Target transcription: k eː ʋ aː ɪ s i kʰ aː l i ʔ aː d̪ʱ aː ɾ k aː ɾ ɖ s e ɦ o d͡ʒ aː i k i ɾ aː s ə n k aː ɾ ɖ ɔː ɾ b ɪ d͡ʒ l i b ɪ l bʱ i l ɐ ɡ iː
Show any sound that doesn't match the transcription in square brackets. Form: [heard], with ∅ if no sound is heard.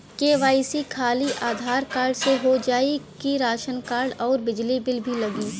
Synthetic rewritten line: k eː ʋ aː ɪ s i kʰ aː l i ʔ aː d̪ʱ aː ɾ k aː ɾ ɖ s e ɦ o d͡ʒ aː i k i ɾ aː [ʃ] ə n k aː ɾ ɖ ɔː ɾ b ɪ d͡ʒ l i b ɪ l bʱ i l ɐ ɡ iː